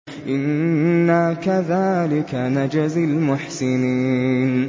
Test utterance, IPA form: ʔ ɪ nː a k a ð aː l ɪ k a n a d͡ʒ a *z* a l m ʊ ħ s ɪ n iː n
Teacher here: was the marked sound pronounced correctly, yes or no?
yes